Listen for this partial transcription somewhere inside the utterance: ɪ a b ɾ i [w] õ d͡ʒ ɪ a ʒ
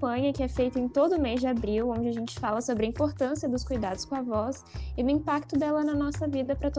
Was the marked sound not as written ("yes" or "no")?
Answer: no